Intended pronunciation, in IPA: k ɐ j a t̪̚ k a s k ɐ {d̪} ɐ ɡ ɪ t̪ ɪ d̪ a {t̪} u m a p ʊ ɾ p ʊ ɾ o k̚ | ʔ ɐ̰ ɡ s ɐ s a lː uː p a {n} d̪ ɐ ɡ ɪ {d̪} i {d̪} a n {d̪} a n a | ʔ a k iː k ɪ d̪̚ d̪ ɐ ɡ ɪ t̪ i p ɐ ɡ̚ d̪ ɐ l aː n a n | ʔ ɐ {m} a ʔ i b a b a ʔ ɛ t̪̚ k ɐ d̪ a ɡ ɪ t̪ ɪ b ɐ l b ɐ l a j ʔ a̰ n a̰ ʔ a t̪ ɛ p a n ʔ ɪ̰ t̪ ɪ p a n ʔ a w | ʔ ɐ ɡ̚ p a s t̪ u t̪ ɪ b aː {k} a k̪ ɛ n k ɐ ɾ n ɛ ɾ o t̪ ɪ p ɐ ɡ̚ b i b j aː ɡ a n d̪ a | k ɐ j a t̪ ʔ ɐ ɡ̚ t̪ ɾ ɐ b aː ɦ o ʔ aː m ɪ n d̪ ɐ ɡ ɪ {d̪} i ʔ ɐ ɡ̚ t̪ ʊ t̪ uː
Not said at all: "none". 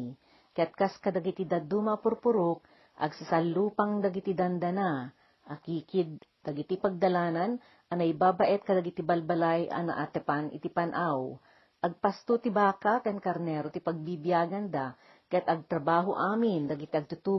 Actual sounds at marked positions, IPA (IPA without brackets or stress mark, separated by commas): d̪, d̪, ŋ, t̪, d̪, d̪, n, k, t̪